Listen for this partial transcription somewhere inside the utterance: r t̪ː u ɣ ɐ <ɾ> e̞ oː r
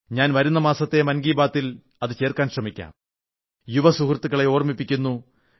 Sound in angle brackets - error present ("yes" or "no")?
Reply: yes